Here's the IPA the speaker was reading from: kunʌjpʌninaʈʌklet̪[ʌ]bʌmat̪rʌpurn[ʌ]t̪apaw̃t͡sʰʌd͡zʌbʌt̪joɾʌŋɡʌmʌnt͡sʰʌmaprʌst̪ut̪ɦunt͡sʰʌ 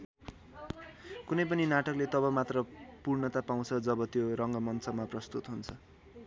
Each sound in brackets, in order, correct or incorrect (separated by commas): correct, correct